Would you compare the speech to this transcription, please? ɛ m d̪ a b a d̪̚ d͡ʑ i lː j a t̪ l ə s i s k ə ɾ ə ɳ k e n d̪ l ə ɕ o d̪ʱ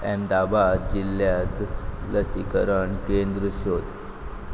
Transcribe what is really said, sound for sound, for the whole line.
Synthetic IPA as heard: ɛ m d̪ a b a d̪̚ d͡ʑ i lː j a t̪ l ə s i k ə ɾ ə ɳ k e n d̪ ɾ ə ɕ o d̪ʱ